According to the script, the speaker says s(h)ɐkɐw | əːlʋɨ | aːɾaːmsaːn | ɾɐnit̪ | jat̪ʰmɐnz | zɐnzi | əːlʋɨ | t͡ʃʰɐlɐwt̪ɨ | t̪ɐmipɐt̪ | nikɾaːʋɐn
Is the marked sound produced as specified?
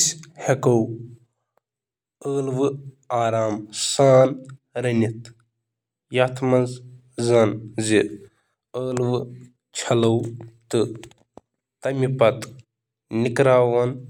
yes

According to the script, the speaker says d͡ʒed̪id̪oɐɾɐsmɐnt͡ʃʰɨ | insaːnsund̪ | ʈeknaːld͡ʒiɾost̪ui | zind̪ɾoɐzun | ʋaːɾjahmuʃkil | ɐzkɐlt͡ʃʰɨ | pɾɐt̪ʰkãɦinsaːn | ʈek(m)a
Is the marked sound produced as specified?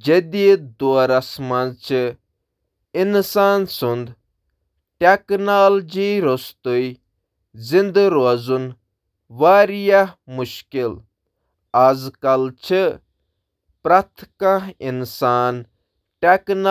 no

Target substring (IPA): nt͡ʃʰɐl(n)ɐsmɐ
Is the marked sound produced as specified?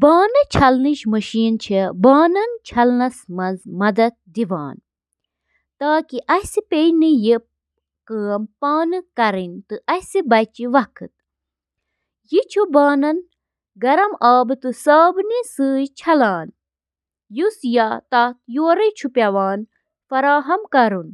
yes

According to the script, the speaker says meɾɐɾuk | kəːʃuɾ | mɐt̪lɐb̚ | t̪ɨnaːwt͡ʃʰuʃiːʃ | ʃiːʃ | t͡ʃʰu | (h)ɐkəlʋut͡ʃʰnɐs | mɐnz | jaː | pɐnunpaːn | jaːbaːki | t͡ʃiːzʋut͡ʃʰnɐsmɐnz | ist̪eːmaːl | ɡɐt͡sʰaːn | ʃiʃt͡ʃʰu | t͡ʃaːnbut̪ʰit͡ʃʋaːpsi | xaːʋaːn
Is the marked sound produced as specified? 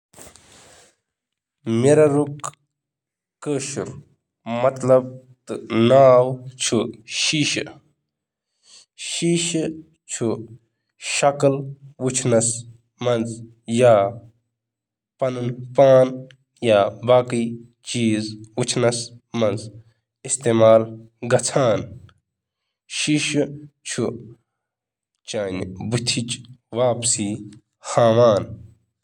no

